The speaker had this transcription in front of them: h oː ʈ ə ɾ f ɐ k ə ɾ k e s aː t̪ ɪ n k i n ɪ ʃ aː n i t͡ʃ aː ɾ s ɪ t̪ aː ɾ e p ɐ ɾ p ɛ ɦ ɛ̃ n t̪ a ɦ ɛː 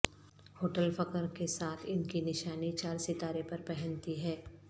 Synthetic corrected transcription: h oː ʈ ə l f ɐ k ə ɾ k e s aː t̪ʰ ɪ n k i n ɪ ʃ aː n i t͡ʃ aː ɾ s ɪ t̪ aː ɾ e p ɐ ɾ p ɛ ɦ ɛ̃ n t̪ i ɦ ɛː